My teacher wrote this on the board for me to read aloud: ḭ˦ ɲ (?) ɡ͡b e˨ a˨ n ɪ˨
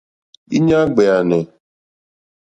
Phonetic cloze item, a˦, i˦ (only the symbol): a˦